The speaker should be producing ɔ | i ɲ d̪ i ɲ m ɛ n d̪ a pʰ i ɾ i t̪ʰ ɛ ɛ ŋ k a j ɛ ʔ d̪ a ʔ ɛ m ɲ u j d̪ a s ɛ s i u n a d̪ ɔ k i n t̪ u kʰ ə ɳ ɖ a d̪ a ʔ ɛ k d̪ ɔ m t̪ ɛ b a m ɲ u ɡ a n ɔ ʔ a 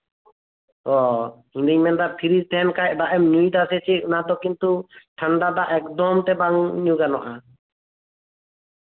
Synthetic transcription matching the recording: ɔ | i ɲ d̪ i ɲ m ɛ n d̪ a pʰ i ɾ i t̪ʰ ɛ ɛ n k a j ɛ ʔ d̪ a ʔ ɛ m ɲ u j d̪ a s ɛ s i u n a d̪ ɔ k i n t̪ u ʈʰ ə ɳ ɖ a d̪ a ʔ ɛ k d̪ ɔ m t̪ ɛ b a ŋ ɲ u ɡ a n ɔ ʔ a